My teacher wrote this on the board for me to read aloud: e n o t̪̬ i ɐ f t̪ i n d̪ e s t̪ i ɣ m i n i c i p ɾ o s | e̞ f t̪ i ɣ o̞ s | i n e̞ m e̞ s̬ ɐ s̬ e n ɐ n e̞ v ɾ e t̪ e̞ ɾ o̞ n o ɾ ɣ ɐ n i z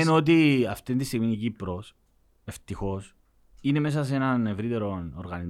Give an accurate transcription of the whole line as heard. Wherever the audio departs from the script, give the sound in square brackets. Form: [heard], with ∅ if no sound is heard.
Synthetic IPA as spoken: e n o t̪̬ i ɐ f t̪ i n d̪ [i] s t̪ i ɣ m i n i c i p ɾ o s | e̞ f t̪ i [x] o̞ s | i n e̞ m e̞ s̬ ɐ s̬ e n ɐ n e̞ v ɾ [i] t̪ e̞ ɾ o̞ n o ɾ ɣ ɐ n i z